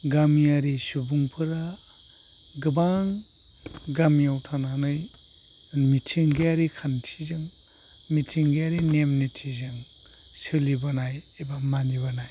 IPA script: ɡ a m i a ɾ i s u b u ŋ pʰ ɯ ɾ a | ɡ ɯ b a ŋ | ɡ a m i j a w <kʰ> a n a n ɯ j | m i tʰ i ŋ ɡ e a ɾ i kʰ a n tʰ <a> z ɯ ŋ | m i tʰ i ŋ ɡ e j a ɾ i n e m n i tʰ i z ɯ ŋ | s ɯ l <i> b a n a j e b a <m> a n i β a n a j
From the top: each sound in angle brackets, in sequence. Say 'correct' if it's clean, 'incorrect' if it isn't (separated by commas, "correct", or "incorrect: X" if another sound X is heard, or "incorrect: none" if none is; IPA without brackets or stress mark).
incorrect: tʰ, incorrect: i, correct, correct